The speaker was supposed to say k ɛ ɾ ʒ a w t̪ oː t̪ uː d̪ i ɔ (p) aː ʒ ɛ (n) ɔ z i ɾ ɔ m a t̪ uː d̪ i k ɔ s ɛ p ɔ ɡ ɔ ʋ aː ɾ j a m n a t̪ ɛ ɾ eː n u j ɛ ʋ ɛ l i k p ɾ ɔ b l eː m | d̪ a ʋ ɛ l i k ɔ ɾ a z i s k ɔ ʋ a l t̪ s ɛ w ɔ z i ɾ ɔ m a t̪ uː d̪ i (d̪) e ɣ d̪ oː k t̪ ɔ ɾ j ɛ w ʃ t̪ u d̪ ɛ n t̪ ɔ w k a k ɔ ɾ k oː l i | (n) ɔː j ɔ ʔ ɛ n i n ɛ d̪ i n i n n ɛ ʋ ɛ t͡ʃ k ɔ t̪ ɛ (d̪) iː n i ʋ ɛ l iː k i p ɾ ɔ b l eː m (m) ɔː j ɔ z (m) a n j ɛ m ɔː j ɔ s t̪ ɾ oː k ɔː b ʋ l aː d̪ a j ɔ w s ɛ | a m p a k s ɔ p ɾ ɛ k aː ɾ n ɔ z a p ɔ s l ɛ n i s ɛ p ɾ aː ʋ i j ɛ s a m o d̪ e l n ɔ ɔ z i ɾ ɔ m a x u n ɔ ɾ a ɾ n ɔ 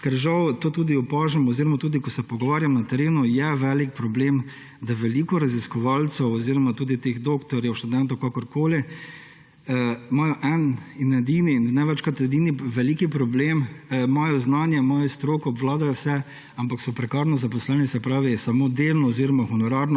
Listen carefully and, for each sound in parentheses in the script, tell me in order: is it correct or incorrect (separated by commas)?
correct, incorrect, incorrect, incorrect, correct, correct, incorrect